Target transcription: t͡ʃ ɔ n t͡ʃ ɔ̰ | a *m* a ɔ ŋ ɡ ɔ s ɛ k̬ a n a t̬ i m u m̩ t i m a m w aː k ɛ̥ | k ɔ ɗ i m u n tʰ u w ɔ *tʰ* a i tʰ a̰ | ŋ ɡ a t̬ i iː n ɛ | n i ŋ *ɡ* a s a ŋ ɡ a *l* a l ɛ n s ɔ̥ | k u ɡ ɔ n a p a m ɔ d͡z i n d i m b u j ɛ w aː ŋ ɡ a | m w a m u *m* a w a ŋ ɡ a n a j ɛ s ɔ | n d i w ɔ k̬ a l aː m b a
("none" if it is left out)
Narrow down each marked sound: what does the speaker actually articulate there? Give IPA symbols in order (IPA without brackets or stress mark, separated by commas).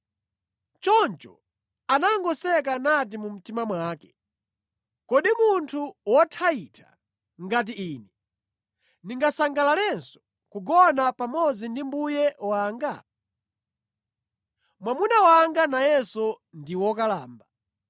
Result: n, tʰ, ɡ, l, n